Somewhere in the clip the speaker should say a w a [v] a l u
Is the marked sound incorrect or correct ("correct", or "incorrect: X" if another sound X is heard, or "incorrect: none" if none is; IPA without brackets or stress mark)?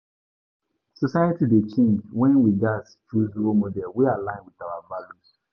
correct